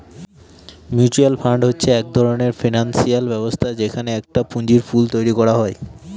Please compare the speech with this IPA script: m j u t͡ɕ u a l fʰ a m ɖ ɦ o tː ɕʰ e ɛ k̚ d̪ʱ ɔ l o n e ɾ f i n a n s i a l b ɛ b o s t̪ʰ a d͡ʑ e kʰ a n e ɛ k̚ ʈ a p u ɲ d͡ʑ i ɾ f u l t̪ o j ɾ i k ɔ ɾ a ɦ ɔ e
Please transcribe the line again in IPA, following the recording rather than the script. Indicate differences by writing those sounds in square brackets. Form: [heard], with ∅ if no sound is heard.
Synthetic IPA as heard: m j u t͡ɕ u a l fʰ a [ɳ] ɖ ɦ o tː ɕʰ e ɛ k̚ d̪ʱ ɔ [ɾ] o n e ɾ f i n a n s i a l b ɛ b o s t̪ʰ a d͡ʑ e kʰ a n e ɛ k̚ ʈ a p u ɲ d͡ʑ i ɾ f u l t̪ o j ɾ i k ɔ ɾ a ɦ ɔ e